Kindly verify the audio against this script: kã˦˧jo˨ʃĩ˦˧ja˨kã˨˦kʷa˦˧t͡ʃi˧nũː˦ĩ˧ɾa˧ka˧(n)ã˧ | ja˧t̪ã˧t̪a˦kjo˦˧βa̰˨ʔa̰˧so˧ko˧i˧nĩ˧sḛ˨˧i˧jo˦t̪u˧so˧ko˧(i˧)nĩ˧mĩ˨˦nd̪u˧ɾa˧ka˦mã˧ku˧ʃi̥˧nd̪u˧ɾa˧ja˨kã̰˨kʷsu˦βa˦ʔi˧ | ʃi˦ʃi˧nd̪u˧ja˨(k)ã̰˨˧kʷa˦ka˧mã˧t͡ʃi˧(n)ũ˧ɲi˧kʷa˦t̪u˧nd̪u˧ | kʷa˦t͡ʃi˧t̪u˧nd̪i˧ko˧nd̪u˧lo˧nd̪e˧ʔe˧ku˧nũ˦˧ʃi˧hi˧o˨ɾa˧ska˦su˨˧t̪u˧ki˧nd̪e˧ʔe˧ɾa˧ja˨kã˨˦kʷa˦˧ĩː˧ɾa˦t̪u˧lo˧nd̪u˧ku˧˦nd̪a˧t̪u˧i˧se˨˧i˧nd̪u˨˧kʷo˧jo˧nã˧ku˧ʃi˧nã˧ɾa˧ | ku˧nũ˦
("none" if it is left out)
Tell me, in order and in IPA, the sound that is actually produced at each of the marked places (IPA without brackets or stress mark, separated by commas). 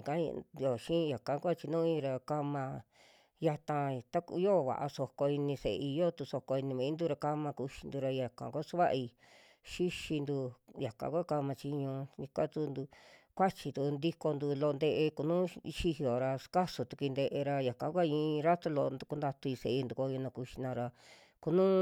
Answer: m, i˧, k, ɲ